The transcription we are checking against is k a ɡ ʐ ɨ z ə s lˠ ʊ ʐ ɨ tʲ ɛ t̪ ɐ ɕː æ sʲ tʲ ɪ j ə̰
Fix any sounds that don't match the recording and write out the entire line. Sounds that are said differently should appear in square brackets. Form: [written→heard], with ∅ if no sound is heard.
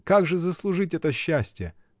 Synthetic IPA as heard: k a ɡ ʐ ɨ z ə s lˠ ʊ ʐ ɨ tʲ ɛ t̪ [ɐ→ə] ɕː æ sʲ tʲ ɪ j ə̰

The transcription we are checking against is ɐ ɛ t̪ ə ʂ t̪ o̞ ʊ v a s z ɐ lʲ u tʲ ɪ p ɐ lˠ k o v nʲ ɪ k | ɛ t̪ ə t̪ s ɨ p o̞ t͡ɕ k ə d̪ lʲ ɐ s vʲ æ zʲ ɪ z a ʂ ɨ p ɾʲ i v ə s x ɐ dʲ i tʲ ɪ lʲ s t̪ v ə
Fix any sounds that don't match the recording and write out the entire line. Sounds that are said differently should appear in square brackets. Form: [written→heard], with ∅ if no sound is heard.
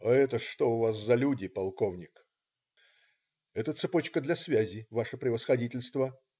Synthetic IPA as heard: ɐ ɛ t̪ ə ʂ t̪ o̞ ʊ v a s z ɐ lʲ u [tʲ→dʲ] ɪ p ɐ lˠ k o v nʲ ɪ k | ɛ t̪ ə t̪ s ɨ p o̞ t͡ɕ k ə d̪ lʲ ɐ s vʲ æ zʲ ɪ [z→v] a ʂ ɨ p ɾʲ [i→ɪ] v ə s x ɐ dʲ i tʲ ɪ lʲ s t̪ v ə

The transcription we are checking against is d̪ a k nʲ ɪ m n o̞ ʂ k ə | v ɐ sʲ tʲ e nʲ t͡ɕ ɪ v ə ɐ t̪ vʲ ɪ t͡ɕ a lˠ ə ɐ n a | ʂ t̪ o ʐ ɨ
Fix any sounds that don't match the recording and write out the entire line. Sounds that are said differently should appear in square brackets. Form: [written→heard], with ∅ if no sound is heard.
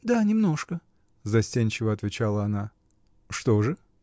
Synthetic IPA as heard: d̪ a [k→∅] nʲ ɪ m n o̞ ʂ k ə | [v→z] ɐ sʲ tʲ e nʲ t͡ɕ ɪ v ə ɐ t̪ vʲ ɪ t͡ɕ a lˠ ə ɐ n a | ʂ t̪ o ʐ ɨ

